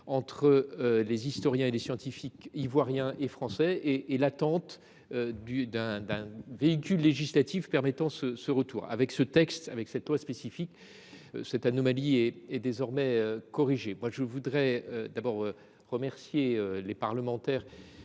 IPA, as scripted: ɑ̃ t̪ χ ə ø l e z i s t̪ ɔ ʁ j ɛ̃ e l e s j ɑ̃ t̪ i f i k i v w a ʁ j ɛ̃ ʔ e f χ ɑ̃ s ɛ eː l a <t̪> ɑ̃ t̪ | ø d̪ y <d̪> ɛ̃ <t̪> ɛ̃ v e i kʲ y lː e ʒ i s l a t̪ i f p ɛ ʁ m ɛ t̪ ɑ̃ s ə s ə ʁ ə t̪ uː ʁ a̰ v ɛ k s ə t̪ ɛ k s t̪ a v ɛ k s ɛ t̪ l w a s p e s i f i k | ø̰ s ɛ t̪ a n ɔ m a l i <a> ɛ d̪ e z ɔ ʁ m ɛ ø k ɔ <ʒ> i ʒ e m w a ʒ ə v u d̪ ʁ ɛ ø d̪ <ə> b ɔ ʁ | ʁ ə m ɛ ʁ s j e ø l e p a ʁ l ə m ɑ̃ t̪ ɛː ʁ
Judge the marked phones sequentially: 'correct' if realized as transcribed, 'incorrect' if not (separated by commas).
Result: correct, correct, incorrect, incorrect, incorrect, incorrect